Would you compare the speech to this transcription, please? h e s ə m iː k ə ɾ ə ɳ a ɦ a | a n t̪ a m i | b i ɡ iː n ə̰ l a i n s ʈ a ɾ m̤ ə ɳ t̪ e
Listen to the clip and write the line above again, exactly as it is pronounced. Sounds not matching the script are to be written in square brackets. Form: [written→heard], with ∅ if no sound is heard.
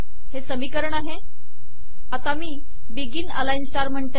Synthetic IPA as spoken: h e s ə m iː k ə ɾ ə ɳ a ɦ [a→e] | a [n→∅] t̪ a m [i→iː] | b i ɡ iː n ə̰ l a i n s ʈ a ɾ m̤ ə ɳ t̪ e